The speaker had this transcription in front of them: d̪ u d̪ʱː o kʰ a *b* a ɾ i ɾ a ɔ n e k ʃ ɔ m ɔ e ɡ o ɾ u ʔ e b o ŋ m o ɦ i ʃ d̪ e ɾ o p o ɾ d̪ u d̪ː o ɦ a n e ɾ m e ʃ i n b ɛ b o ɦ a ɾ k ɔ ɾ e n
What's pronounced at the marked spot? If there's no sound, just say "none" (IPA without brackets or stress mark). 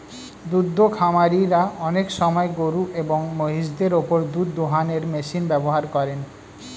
m